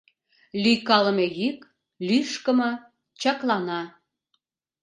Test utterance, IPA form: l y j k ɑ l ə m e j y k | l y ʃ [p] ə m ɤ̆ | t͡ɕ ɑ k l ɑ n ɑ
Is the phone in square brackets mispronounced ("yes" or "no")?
yes